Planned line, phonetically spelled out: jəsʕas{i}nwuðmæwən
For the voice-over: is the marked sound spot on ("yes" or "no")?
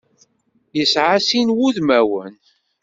yes